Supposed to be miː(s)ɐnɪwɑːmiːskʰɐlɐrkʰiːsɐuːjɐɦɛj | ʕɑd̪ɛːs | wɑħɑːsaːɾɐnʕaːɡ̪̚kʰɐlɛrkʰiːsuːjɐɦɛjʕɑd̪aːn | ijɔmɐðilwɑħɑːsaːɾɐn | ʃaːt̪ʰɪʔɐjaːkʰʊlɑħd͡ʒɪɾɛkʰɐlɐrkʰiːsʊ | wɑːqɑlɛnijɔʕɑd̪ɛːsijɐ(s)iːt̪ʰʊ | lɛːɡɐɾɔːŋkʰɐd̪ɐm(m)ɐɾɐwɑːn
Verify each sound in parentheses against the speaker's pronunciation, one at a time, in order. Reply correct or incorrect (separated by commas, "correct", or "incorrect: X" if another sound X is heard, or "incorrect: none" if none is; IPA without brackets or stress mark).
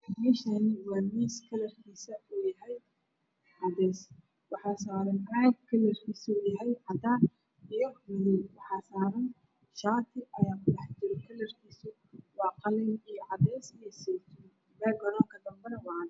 incorrect: ʃ, correct, incorrect: b